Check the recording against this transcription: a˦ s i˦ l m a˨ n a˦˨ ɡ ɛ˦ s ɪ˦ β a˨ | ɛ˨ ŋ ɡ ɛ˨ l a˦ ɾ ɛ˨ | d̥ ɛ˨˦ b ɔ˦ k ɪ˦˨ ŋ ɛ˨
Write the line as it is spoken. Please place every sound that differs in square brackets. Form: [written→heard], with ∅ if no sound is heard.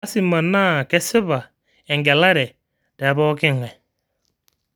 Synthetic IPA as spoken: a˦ s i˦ [l→∅] m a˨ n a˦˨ [ɡ→k] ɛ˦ s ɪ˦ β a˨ | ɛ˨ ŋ ɡ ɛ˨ l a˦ ɾ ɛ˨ | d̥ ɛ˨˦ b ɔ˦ k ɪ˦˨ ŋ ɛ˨